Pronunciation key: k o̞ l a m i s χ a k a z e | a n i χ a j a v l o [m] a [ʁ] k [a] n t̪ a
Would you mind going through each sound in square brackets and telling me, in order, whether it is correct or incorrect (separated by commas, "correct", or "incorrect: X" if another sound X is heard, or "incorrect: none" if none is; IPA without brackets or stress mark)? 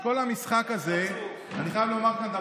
correct, correct, correct